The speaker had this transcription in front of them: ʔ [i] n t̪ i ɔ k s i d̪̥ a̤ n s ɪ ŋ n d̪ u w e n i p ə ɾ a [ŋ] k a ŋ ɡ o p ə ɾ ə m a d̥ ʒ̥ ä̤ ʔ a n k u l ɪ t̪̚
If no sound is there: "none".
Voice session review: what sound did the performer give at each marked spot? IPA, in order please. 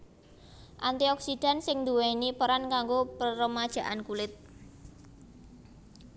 a, n

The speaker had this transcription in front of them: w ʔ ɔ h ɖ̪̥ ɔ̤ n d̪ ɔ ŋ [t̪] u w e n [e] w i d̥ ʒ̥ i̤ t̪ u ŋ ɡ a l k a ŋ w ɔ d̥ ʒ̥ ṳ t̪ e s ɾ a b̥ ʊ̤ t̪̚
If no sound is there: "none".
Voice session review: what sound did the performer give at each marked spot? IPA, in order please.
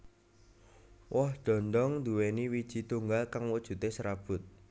d̪, i

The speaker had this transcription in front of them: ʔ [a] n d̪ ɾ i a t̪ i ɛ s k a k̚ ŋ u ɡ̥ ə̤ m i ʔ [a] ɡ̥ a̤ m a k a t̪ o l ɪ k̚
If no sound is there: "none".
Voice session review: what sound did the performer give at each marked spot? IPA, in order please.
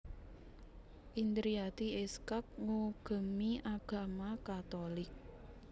i, a

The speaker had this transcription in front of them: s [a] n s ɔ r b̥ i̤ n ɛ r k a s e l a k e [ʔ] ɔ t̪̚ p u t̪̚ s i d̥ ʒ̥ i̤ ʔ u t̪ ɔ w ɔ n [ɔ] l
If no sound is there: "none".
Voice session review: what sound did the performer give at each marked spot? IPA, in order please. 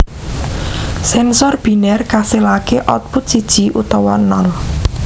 ɛ, ʔ, ɔ

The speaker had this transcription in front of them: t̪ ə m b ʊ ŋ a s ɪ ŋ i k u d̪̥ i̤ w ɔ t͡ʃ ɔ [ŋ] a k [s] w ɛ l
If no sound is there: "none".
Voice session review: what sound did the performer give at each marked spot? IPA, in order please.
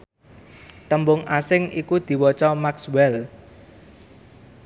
m, s

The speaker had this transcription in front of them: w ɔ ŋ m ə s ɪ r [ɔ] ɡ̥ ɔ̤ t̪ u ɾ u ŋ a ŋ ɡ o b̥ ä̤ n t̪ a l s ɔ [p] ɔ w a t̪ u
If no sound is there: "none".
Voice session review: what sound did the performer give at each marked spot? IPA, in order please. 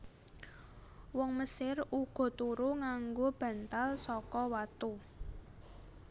u, k

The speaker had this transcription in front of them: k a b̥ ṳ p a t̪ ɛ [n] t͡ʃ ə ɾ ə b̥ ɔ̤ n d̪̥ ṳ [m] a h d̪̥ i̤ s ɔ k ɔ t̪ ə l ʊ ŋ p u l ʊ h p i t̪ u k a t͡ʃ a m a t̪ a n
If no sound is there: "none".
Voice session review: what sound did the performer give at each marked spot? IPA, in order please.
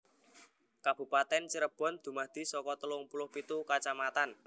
n, m

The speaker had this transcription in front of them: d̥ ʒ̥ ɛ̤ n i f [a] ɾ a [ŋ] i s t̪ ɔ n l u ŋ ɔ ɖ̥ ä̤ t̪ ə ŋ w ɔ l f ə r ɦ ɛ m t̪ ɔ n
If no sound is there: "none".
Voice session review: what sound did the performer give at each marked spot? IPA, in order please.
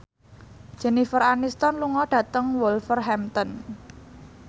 ə, n

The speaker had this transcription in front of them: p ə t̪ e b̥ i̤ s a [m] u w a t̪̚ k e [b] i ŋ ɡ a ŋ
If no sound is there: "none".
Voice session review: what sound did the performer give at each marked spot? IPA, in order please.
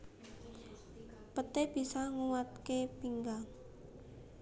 ŋ, p

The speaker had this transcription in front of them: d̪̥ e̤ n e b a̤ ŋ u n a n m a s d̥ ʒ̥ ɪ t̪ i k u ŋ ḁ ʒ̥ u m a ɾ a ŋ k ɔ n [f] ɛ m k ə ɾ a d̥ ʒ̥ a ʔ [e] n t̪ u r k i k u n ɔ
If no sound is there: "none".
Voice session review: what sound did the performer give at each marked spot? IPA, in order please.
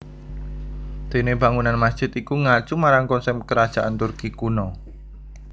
s, a

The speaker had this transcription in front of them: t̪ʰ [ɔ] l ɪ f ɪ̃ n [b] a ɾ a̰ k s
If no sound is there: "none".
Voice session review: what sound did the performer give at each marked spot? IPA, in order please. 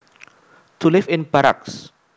u, b

